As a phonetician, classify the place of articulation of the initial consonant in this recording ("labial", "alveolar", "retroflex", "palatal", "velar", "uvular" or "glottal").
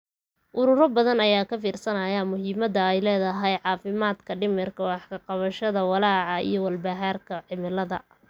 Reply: glottal